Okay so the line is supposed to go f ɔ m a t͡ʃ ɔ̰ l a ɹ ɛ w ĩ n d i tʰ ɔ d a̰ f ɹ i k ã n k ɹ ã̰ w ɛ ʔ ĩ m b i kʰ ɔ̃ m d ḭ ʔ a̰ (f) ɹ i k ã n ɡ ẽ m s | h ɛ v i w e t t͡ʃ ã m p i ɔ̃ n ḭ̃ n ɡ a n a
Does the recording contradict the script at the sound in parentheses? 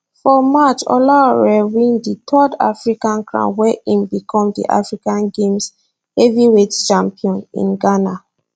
no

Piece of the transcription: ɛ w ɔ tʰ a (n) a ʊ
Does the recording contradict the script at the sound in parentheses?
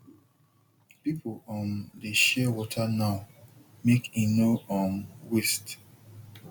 no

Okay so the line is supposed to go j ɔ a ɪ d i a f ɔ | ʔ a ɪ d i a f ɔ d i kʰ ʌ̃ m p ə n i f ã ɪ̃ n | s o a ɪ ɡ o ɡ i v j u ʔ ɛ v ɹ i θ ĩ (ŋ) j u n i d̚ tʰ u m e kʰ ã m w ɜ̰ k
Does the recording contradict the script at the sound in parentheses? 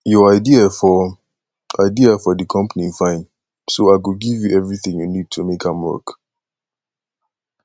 no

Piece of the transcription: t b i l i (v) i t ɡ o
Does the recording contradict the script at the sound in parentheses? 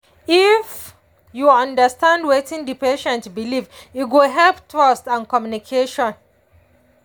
no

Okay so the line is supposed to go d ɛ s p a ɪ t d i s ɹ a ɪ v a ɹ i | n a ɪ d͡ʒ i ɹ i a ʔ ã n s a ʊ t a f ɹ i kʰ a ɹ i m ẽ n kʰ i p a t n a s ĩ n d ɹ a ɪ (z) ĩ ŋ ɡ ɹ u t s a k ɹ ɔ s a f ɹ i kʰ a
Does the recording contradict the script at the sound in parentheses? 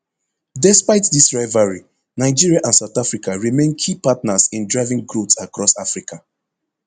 yes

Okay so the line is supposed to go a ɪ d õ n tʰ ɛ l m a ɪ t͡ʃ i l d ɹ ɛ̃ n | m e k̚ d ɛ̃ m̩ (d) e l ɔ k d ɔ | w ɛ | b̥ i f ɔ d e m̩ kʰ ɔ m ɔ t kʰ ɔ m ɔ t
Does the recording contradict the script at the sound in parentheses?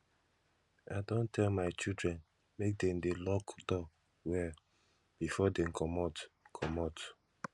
no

